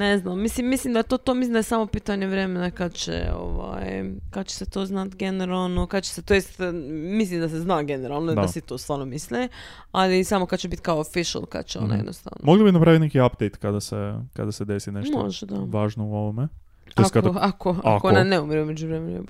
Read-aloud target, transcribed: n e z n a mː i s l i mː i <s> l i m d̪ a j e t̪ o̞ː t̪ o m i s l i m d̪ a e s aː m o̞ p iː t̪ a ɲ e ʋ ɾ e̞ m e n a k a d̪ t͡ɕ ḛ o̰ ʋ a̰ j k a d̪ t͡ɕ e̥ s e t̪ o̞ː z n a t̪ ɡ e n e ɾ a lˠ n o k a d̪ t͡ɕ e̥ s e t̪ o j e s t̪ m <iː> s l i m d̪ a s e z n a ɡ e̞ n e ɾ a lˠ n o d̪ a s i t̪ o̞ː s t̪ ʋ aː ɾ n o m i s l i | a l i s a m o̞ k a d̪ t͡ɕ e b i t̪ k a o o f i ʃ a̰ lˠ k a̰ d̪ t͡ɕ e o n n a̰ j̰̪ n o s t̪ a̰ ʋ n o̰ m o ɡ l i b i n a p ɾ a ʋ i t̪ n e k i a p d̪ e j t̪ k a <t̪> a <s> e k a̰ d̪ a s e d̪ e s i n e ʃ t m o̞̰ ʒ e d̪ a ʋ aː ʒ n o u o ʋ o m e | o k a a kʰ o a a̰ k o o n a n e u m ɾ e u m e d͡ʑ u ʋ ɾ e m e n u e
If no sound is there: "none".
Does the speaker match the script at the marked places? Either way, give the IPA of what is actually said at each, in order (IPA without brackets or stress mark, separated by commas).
s, i, d̪, s